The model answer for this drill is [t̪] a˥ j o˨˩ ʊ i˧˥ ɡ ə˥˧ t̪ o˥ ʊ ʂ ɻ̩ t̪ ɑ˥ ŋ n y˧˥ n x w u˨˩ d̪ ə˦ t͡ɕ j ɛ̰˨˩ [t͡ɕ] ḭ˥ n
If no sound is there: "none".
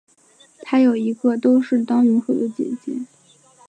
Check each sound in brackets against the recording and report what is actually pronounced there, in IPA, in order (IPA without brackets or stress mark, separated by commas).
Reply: t̪ʰ, t͡ɕ